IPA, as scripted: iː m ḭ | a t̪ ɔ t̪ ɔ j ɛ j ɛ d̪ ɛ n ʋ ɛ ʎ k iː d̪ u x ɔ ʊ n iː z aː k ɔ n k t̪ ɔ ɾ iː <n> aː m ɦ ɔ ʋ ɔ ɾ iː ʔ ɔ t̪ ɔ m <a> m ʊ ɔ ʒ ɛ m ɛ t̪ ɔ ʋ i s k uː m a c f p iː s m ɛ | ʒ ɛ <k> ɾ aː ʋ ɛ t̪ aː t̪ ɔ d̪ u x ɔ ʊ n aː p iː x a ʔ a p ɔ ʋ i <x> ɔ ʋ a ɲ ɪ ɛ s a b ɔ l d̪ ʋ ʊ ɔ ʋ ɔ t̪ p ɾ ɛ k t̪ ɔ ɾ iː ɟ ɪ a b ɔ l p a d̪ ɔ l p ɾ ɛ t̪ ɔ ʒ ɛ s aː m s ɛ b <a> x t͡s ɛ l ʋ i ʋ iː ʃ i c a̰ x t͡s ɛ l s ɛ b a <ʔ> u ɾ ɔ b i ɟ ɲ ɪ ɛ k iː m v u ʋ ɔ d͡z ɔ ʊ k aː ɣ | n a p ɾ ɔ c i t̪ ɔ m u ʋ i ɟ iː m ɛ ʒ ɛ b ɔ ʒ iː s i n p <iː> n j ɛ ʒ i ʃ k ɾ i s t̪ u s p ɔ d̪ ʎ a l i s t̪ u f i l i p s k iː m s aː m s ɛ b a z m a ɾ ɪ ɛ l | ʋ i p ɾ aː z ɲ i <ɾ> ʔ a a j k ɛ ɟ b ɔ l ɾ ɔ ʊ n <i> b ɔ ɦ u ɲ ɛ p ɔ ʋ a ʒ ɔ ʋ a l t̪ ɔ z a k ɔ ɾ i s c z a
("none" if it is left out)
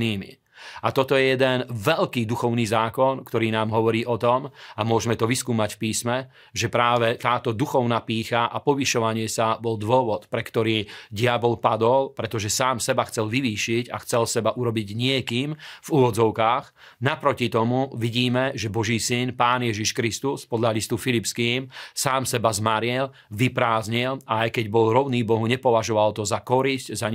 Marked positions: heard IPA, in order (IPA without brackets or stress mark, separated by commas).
n, a, p, ʃ, a, ʔ, aː, l, iː